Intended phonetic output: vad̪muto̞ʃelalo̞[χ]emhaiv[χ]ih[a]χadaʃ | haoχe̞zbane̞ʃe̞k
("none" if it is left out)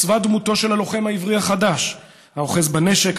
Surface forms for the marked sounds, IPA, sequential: χ, ʁ, a

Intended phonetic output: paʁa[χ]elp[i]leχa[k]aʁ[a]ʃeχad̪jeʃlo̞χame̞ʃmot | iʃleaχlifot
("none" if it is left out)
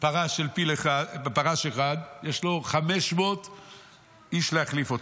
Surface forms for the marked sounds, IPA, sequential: ʃ, i, p, a

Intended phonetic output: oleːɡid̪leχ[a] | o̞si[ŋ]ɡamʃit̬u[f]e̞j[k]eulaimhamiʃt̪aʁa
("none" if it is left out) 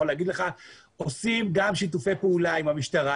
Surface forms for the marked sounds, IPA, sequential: a, m, f, p

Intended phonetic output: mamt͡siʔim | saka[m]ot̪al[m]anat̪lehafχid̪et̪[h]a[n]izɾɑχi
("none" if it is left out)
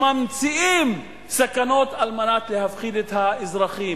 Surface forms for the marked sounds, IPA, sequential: n, m, h, none

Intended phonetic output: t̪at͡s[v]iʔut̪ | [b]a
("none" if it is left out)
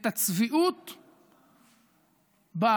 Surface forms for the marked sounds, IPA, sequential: v, b

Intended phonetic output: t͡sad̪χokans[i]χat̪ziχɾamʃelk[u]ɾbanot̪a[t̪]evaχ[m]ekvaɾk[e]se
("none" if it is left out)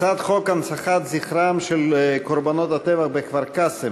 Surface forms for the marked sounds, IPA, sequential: a, o, t̪, b, a

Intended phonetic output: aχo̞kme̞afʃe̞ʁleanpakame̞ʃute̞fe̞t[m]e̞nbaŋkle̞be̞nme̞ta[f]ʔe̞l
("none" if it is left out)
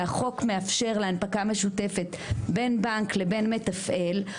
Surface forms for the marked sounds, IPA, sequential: b, f

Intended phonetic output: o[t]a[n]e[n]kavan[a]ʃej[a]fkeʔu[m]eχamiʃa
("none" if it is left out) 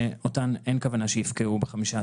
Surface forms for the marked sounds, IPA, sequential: t, n, n, a, i, b

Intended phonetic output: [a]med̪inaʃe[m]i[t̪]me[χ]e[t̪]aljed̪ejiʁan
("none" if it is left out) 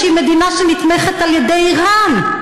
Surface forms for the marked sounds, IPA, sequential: i, n, t̪, χ, t̪

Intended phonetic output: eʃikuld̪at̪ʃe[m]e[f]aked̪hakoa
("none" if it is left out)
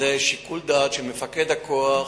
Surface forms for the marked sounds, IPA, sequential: m, f

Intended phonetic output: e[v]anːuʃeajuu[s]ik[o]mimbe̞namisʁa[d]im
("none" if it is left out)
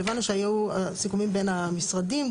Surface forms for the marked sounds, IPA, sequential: v, s, u, d

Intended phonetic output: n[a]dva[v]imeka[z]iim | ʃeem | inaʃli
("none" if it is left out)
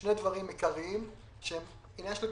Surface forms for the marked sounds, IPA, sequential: e, ʁ, ʁ

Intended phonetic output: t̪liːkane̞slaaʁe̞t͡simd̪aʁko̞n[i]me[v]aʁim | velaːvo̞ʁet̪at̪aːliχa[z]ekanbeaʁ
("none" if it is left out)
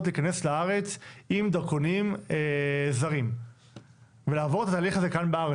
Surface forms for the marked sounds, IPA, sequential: i, z, z

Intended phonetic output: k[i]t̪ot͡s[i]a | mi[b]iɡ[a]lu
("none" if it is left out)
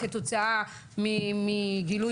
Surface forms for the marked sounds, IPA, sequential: e, a, m, i

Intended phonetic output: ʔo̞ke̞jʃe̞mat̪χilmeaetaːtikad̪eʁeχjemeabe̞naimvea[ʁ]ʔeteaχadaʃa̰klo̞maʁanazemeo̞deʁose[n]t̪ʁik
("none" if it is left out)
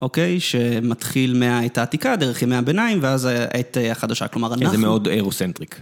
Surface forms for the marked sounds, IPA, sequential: z, n

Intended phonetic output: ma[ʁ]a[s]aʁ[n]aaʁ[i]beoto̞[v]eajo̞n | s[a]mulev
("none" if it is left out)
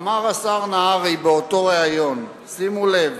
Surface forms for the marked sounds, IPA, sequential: ʁ, s, n, i, ʁ, i

